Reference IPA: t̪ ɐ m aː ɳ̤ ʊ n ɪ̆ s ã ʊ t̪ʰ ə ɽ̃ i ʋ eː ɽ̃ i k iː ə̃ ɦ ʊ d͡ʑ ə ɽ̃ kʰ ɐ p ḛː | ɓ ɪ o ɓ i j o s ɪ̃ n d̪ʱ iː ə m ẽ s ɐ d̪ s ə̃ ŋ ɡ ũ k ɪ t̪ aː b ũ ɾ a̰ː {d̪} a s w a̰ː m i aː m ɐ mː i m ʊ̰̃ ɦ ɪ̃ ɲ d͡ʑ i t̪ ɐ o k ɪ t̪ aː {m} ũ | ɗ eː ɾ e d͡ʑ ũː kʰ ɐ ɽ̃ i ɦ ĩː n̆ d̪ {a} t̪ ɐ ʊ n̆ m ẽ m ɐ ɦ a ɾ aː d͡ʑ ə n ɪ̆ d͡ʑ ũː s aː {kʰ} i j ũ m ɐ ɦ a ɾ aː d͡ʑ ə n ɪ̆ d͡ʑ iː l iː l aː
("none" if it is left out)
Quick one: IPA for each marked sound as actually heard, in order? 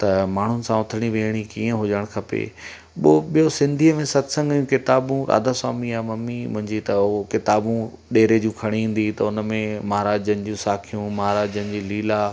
d̪, b, i, kʰ

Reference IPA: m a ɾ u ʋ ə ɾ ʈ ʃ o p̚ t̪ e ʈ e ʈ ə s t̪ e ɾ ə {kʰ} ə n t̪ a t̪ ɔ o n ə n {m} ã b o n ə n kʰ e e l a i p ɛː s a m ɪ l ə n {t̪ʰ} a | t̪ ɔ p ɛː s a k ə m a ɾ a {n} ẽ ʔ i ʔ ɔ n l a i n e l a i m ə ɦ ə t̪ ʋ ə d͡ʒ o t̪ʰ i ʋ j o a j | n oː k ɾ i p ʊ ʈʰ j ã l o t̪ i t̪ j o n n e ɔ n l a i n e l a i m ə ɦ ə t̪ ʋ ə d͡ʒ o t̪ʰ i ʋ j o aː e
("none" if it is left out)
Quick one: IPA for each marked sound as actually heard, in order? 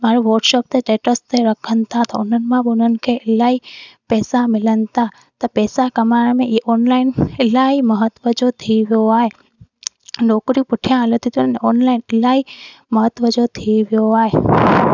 kʰ, m, t̪, m

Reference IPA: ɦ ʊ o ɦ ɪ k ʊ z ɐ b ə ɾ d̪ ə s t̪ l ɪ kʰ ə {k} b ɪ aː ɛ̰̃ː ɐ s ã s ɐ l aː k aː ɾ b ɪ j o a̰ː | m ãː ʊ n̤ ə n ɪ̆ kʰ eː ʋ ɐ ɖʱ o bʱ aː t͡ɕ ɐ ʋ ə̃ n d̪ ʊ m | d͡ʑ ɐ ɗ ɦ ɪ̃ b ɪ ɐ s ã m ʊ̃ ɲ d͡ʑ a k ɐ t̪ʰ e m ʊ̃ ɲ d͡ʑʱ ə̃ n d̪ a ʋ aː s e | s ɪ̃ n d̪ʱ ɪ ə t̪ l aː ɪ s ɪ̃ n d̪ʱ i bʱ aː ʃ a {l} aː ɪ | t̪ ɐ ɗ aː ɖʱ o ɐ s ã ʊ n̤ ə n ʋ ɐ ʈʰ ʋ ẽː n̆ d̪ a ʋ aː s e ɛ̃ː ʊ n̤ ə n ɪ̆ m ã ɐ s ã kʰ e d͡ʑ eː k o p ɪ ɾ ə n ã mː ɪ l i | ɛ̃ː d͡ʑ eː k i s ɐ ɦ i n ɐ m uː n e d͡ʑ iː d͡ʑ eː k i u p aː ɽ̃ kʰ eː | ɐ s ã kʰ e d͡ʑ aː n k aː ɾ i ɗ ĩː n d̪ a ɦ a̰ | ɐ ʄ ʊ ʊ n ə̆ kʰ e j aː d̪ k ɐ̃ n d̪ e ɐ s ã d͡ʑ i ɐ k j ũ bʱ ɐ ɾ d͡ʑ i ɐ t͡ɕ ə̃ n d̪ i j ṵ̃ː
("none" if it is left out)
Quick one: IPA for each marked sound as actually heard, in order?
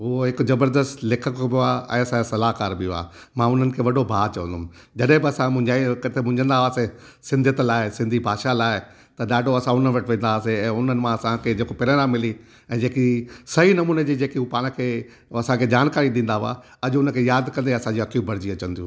k, l

